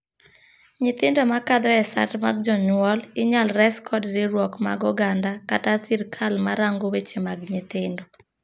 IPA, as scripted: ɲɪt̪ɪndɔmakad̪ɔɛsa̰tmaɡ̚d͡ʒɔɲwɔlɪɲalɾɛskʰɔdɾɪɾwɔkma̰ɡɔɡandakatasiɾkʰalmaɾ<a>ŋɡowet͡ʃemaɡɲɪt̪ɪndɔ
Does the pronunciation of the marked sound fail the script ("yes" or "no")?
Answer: no